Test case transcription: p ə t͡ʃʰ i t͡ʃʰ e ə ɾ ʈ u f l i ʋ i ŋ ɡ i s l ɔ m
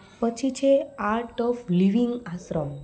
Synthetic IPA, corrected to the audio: p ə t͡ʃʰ i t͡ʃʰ e a ɾ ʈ ɔ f l i ʋ i ŋ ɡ a s ɾ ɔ m